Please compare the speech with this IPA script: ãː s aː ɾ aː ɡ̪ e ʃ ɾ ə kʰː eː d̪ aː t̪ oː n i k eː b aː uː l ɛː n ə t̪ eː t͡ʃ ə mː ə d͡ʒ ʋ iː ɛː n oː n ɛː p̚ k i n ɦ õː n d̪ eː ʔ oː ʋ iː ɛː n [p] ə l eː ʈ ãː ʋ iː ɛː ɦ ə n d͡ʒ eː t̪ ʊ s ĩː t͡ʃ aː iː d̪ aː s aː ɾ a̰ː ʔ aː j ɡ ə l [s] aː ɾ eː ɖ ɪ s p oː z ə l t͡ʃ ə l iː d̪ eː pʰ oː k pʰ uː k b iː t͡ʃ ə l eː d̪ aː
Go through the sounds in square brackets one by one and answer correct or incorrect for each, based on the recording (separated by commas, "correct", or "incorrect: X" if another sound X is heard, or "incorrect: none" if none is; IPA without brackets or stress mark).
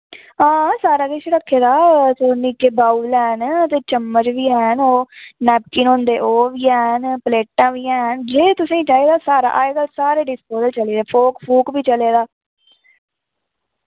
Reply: correct, correct